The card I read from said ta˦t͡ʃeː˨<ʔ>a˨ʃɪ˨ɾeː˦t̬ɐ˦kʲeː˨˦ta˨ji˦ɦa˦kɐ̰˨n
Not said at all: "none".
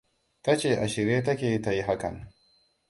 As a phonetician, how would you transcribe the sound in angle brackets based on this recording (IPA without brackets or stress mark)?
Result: ʔ